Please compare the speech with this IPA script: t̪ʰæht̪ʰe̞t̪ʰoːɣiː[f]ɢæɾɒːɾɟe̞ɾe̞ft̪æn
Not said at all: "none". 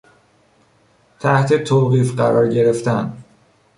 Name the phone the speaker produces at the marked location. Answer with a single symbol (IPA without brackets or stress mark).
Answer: f